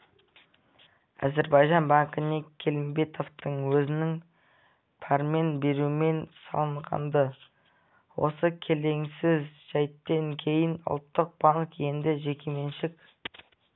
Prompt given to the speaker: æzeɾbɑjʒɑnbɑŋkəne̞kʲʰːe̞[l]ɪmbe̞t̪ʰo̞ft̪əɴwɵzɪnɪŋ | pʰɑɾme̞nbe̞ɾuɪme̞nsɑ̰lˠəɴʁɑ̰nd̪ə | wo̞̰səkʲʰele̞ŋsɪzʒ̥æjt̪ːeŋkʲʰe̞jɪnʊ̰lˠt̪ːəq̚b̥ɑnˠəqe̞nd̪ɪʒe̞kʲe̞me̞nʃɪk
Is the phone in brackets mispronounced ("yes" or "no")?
no